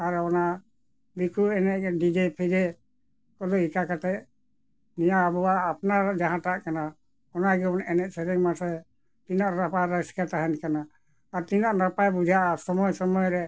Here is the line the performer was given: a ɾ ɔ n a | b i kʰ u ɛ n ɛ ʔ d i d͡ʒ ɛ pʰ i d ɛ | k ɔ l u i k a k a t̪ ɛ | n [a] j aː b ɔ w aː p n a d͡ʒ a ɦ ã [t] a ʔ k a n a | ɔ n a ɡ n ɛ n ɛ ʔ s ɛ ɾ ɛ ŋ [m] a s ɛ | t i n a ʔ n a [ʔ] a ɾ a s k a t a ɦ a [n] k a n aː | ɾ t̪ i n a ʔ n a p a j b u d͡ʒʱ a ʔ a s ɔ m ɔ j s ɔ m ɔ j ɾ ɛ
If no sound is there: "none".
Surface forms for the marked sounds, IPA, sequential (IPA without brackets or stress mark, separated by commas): i, t, m, p, n